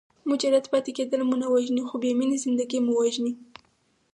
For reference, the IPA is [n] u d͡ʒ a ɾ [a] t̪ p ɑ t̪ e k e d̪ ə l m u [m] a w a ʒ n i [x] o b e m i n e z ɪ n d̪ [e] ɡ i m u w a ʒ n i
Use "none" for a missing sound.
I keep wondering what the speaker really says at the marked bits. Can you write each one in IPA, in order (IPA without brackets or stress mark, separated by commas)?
m, a, n, x, a